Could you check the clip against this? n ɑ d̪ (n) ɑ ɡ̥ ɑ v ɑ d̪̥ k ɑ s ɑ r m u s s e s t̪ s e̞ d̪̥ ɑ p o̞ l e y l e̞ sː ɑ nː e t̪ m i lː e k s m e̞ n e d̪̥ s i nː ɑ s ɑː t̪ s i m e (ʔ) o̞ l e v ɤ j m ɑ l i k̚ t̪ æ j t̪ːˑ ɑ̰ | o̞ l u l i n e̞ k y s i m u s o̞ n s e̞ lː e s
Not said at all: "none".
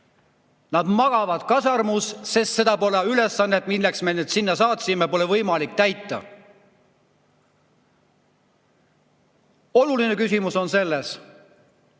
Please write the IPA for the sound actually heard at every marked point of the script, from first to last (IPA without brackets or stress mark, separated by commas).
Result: m, p